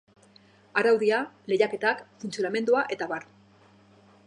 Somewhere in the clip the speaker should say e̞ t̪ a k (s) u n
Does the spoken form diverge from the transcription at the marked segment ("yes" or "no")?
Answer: yes